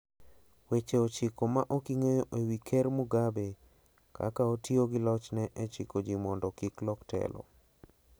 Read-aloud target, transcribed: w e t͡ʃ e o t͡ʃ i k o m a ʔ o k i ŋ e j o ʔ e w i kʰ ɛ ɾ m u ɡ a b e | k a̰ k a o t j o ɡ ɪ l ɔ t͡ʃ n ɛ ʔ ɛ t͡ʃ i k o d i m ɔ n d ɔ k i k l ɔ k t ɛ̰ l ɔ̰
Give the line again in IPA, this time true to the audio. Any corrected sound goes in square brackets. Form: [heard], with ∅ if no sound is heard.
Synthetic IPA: w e t͡ʃ e o t͡ʃ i k o m a ʔ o k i ŋ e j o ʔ e w i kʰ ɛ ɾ m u ɡ a b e | k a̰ k a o t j o ɡ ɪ l ɔ t͡ʃ n ɛ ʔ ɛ t͡ʃ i k o [d͡ʒ] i m ɔ n d ɔ k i k l ɔ k t ɛ̰ l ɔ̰